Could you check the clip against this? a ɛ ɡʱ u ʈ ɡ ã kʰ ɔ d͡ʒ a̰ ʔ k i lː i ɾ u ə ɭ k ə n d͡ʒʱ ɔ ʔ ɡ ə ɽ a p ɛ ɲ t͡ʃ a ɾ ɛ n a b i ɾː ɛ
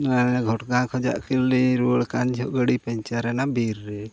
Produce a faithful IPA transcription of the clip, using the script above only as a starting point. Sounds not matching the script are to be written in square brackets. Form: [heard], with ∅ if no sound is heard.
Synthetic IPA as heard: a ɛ ɡʱ [ɔ] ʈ ɡ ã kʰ ɔ d͡ʒ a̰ ʔ k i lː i ɾ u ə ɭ k [a] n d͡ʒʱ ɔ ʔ ɡ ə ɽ [i] p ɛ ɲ t͡ʃ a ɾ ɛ n a b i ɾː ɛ